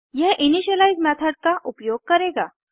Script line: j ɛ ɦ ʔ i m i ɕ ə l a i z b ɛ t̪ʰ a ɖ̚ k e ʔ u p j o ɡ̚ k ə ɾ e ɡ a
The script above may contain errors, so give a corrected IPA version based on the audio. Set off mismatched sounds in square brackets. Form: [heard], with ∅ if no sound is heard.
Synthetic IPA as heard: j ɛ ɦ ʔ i [n] i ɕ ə l a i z [m] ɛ t̪ʰ [ə] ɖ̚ k [a] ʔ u p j o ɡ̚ k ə ɾ e ɡ a